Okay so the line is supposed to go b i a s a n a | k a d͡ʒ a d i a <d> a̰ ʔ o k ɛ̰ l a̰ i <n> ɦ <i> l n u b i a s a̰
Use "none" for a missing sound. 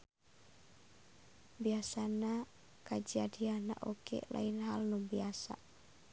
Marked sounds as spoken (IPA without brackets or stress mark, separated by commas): n, n, a